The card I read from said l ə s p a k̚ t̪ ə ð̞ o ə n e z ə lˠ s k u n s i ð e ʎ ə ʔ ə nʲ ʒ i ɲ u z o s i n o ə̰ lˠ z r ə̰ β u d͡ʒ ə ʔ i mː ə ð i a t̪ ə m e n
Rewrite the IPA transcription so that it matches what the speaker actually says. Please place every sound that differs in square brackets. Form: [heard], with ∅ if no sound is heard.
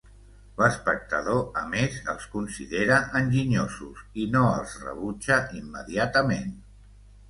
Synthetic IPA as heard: l ə s p [ə] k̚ t̪ ə ð̞ o ə [m] e z ə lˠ s k u n s i ð e [ɾ] ə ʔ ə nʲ ʒ i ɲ [o] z [u] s i n o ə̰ lˠ z r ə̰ β u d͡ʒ ə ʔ i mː ə ð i a t̪ ə m e n